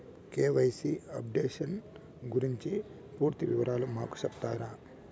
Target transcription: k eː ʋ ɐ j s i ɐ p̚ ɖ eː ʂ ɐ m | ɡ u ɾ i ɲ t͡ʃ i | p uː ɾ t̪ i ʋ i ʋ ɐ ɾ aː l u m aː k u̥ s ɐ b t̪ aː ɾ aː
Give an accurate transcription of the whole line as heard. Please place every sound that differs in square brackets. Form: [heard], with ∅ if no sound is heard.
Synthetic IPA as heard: k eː ʋ ɐ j s i ɐ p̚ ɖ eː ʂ ɐ [n] | ɡ u ɾ i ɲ t͡ʃ i | p uː ɾ t̪ i ʋ i ʋ ɐ ɾ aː l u m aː k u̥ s ɐ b t̪ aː ɾ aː